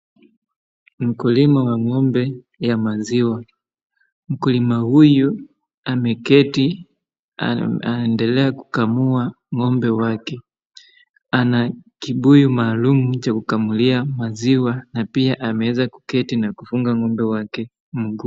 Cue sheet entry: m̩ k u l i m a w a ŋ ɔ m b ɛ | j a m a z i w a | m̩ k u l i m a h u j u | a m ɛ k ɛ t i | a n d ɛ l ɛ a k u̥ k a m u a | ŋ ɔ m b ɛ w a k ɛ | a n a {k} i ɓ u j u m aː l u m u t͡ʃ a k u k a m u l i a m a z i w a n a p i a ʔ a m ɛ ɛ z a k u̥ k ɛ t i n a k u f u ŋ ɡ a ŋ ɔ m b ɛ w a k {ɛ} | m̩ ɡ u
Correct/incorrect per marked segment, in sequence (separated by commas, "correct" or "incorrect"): correct, correct